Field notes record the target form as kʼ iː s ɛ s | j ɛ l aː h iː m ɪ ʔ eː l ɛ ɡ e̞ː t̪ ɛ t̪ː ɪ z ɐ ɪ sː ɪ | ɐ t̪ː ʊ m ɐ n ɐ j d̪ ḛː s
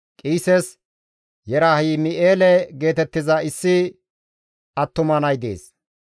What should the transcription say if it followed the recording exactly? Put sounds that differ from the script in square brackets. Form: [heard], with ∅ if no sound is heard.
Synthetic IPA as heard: kʼ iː s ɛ s | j ɛ [ɾ] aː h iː m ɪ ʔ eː l ɛ ɡ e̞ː t̪ ɛ t̪ː ɪ z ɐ ɪ sː ɪ | ɐ t̪ː ʊ m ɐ n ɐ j d̪ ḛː s